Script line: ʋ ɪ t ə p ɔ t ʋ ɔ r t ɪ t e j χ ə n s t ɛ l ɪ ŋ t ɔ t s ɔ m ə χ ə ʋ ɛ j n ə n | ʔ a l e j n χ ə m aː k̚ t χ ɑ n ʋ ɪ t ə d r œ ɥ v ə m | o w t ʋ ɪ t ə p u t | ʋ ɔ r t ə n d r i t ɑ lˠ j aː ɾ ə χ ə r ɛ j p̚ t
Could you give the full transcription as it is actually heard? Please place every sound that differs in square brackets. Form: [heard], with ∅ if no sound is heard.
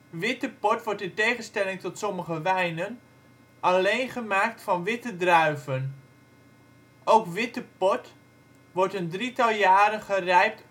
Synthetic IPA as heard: ʋ ɪ t ə p ɔ t ʋ ɔ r t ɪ t e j χ ə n s t ɛ l ɪ ŋ t ɔ t s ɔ m ə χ ə ʋ ɛ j n ə n | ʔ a l e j n χ ə m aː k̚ t [f] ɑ n ʋ ɪ t ə d r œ ɥ v ə [n] | o w [k] ʋ ɪ t ə p [ɔ] t | ʋ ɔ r t ə n d r i t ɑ lˠ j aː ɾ ə χ ə r ɛ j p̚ t